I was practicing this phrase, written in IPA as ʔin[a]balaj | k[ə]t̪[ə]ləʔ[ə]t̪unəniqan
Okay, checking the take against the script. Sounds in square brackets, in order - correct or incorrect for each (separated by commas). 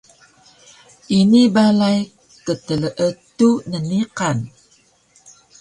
incorrect, correct, correct, correct